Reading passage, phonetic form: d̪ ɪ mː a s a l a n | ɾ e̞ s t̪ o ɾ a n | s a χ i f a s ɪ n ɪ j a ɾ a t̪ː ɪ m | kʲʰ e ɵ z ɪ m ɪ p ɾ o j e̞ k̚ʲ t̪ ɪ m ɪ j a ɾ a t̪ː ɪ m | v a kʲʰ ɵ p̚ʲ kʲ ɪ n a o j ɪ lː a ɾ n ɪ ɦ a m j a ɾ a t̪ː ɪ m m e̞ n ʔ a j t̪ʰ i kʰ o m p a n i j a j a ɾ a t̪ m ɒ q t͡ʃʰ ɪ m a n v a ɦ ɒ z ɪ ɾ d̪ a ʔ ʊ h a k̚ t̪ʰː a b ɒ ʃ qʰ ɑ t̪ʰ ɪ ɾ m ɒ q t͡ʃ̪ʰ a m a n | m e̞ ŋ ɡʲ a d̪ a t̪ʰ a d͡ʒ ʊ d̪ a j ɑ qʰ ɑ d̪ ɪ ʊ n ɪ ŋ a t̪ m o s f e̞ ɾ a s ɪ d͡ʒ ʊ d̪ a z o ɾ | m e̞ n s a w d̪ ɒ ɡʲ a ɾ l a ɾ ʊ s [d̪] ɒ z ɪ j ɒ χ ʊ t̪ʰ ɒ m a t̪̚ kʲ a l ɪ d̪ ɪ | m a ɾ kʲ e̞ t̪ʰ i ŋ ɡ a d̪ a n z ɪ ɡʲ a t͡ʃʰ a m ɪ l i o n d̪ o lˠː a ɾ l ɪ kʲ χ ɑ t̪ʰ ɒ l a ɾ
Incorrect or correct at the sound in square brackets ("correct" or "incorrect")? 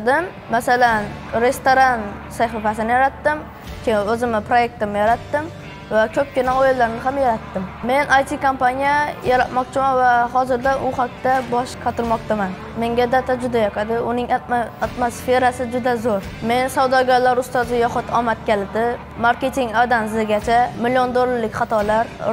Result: incorrect